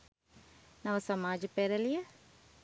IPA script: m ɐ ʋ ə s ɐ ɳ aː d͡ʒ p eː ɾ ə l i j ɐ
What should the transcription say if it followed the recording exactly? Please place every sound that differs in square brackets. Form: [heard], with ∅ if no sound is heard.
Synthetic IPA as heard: [n] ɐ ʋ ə s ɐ [m] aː d͡ʒ p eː ɾ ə l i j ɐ